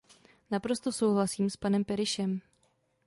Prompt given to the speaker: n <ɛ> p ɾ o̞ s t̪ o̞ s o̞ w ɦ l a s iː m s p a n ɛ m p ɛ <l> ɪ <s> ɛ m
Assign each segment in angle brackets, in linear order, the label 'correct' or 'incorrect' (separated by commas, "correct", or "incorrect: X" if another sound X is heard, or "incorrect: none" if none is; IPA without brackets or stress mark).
incorrect: a, incorrect: ɾ, incorrect: ʃ